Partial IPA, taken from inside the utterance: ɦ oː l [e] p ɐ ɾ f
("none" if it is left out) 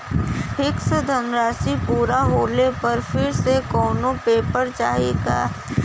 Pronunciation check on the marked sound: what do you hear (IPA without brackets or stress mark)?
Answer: e